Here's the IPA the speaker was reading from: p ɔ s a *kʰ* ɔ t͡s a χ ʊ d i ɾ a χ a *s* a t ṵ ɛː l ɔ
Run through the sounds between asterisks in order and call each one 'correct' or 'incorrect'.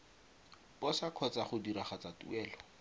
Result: correct, incorrect: t͡s

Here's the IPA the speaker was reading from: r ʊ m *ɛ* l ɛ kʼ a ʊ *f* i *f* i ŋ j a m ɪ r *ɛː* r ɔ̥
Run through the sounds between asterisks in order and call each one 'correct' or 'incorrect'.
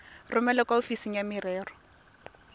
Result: correct, correct, incorrect: s, correct

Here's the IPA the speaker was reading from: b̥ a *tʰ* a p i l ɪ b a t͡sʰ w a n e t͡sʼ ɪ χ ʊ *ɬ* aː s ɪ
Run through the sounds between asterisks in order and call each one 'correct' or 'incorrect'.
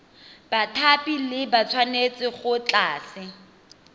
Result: correct, incorrect: t͡ɬ

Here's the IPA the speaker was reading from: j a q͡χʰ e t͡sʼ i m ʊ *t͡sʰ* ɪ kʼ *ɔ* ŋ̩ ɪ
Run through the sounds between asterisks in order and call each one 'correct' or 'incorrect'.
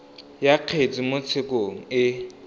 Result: correct, incorrect: o

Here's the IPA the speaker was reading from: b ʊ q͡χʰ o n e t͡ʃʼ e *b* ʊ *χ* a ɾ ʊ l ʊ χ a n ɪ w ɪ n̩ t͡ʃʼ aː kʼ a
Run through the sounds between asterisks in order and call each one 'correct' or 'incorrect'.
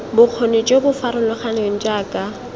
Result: correct, incorrect: f

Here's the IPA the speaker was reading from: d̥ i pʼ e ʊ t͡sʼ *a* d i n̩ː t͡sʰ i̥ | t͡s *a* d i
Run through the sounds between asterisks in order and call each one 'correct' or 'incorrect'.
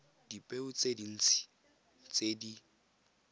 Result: incorrect: e, incorrect: e

